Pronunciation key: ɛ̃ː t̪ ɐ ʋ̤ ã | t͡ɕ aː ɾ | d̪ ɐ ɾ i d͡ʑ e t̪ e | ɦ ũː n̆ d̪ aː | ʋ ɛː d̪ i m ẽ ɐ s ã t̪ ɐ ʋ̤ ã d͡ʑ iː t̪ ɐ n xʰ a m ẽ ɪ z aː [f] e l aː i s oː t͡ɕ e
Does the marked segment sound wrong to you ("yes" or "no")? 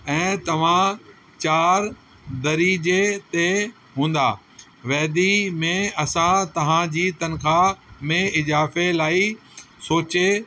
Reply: no